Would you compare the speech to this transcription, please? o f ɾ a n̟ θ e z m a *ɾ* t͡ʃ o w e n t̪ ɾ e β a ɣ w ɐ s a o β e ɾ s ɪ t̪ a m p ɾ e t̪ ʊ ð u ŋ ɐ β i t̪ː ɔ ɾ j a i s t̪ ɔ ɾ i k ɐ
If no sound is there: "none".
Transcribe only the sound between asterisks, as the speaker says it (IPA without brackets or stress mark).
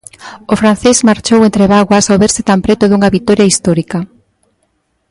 ɾ